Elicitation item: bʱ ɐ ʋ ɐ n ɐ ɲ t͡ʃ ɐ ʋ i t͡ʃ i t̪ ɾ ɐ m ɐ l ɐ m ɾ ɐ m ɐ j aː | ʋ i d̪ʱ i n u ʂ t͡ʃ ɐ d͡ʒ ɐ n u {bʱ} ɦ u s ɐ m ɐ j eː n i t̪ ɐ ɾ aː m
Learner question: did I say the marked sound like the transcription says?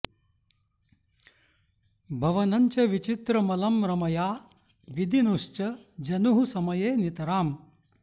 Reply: no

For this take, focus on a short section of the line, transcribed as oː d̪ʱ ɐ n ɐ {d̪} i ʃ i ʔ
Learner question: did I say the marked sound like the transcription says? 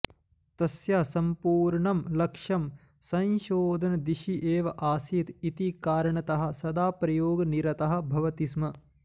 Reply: yes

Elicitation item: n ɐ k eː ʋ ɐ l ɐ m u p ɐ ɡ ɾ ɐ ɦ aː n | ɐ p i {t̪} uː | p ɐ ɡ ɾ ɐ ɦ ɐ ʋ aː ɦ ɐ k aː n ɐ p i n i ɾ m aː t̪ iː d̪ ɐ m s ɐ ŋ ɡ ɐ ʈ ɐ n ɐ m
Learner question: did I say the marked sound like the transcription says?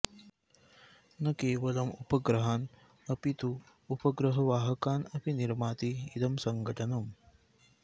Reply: yes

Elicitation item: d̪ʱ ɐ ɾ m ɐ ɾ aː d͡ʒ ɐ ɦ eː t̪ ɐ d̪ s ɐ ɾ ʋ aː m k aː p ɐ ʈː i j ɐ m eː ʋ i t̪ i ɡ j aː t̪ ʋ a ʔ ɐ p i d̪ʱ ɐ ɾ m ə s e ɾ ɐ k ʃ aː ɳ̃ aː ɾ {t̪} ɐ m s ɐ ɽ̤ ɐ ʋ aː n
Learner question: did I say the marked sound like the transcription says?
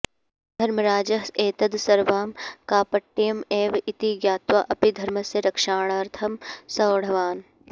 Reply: no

